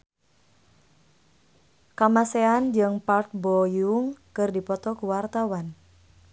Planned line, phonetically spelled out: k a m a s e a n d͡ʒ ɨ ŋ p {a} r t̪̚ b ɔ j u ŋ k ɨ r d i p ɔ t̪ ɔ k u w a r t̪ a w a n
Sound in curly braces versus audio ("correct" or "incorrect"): correct